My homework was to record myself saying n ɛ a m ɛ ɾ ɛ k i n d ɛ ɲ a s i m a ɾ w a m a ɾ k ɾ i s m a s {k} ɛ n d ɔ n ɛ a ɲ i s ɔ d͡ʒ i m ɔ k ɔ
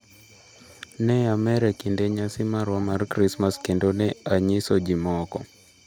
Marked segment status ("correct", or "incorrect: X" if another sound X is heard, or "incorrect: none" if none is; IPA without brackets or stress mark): correct